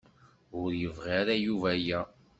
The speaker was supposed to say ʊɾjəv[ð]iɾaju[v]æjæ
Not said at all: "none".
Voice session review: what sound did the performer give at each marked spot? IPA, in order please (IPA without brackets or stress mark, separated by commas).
ʁ, v